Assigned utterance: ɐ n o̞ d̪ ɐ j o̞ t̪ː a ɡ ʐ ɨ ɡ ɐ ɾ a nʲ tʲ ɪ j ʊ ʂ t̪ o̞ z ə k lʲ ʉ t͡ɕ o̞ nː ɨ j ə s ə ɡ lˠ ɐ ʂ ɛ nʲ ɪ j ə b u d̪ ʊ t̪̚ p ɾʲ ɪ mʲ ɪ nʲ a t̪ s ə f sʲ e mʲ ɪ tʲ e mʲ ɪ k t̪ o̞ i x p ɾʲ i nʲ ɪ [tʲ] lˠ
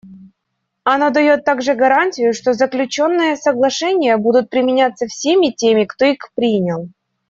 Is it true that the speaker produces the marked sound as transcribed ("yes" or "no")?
no